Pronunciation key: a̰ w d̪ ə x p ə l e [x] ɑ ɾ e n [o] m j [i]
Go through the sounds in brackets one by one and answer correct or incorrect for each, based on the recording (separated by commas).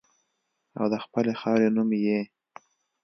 correct, incorrect, incorrect